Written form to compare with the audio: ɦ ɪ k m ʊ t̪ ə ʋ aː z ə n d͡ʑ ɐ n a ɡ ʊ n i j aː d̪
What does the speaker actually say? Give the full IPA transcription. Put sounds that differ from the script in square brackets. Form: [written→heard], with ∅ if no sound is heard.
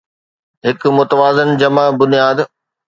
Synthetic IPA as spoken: ɦ ɪ k m ʊ t̪ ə ʋ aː z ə n d͡ʑ ɐ [n→m] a [ɡ→b] ʊ n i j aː d̪